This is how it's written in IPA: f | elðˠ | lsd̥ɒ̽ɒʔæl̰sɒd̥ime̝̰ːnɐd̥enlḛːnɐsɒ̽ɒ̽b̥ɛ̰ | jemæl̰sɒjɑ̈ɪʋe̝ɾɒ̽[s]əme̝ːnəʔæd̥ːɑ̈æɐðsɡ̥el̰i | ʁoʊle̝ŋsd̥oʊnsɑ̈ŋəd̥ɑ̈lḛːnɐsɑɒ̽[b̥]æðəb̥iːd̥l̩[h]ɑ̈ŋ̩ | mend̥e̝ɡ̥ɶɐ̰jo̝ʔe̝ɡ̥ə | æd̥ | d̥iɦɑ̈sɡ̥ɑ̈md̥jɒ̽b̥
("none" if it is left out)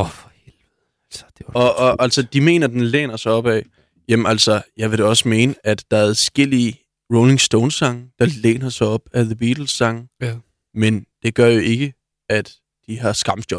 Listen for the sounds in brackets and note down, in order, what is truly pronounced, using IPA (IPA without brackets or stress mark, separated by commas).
s, b̥, s